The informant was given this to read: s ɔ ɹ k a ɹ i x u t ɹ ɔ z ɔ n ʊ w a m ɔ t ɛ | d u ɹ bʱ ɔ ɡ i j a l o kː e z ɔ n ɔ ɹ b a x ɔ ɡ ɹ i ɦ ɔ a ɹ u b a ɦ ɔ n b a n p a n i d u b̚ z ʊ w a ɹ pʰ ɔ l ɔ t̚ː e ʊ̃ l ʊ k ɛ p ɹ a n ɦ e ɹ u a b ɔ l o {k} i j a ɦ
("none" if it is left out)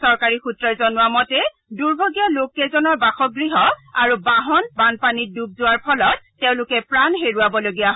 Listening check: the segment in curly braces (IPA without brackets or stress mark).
ɡ